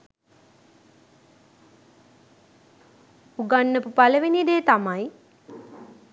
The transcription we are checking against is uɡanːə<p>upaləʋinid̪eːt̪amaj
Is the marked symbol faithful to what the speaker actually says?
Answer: yes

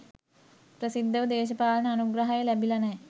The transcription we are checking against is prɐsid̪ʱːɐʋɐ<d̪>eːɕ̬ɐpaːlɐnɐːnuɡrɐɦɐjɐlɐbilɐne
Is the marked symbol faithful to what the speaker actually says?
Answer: yes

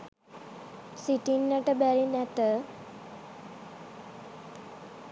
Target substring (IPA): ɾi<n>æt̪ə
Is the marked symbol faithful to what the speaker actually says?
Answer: yes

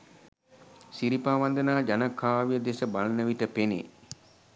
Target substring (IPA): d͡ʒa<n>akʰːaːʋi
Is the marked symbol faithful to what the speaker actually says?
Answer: yes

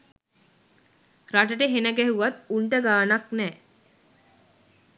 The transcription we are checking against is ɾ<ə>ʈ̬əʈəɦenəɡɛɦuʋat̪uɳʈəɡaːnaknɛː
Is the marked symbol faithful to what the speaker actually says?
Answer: no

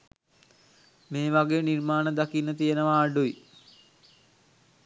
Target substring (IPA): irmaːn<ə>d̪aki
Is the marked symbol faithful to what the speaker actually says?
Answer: yes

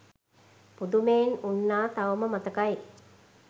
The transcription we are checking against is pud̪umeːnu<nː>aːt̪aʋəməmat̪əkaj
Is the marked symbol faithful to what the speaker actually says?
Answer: yes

